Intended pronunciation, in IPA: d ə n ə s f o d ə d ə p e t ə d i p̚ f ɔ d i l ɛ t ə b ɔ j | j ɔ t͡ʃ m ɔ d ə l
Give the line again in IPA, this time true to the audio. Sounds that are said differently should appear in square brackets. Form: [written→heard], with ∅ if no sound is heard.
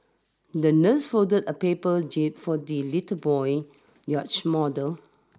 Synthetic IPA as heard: d ə n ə s f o d ə d ə p e [t→p] ə [d→d͡ʒ] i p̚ f ɔ d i l [ɛ→i] t ə b ɔ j | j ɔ t͡ʃ m ɔ d ə l

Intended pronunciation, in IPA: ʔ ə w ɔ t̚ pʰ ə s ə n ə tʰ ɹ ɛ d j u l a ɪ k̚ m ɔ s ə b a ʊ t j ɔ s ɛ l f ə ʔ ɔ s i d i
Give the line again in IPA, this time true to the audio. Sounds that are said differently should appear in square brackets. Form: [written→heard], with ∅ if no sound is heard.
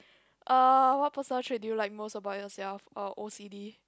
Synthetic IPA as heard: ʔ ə w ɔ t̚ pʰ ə s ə n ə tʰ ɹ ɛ d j u l a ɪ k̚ m [ɔ→o] s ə b a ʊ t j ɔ s ɛ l f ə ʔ [ɔ→o] s i d i

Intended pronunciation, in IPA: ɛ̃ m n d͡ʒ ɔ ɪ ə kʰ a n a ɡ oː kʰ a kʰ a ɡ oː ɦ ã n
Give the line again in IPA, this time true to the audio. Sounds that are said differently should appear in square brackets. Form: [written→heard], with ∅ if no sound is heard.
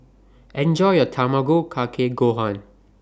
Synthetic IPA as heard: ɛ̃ [m→∅] n d͡ʒ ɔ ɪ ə [kʰ→tʰ] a [n→m] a ɡ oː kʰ a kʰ [a→e] ɡ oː ɦ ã n

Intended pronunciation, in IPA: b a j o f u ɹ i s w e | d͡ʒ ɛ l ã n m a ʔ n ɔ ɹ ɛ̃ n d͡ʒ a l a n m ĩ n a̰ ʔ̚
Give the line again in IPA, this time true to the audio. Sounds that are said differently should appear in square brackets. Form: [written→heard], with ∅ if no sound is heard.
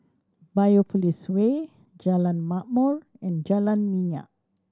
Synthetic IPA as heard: b a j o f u [ɹ→l] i s w e | d͡ʒ [ɛ→a] l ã n m a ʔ [n→m] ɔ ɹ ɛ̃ n d͡ʒ a l a n m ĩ [n→ɲ] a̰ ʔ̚

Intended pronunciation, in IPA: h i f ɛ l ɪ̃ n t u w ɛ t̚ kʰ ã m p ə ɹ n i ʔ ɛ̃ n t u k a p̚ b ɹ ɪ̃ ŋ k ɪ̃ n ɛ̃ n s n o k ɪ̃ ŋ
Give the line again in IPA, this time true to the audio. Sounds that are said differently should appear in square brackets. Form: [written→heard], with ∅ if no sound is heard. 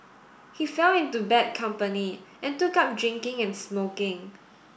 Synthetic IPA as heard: h i f ɛ l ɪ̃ n t u [w→b] ɛ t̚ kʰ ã m p ə [ɹ→∅] n i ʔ ɛ̃ n t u k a p̚ [b→d] ɹ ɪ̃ ŋ k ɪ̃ [n→ŋ] ɛ̃ n s [n→m] o k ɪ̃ ŋ

